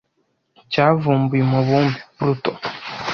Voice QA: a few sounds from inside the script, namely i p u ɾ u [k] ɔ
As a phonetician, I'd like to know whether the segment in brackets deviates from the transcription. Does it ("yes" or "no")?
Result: yes